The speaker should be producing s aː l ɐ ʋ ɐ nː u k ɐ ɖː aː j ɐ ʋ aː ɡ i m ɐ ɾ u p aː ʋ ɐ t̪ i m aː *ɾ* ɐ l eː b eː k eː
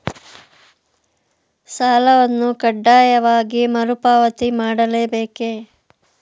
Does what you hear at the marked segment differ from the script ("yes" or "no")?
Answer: yes